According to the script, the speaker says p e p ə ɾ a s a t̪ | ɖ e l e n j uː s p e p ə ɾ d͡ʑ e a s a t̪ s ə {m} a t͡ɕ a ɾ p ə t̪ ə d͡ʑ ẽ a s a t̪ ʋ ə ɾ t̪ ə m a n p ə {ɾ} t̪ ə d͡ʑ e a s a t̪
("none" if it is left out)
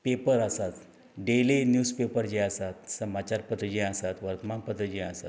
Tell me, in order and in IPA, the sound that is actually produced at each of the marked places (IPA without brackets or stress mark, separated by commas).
m, none